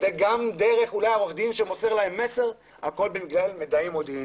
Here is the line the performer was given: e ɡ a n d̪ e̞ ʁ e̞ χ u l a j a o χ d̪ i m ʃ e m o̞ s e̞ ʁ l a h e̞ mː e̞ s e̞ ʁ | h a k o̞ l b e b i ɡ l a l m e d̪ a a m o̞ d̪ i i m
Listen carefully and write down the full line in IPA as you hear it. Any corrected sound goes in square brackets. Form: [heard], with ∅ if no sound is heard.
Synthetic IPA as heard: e ɡ a [m] d̪ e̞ ʁ e̞ χ u l a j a o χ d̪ i m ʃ e m o̞ s e̞ ʁ l a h e̞ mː e̞ s e̞ ʁ | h a k o̞ l b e [m] i ɡ l a l m e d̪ a [i] m o̞ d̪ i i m